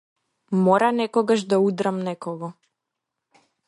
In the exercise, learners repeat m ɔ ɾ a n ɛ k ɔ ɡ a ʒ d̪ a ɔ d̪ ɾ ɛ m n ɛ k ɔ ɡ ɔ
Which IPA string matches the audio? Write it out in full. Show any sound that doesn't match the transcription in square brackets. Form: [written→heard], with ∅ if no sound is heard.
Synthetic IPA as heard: m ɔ ɾ a n ɛ k ɔ ɡ a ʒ d̪ a [ɔ→u] d̪ ɾ [ɛ→a] m n ɛ k ɔ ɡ ɔ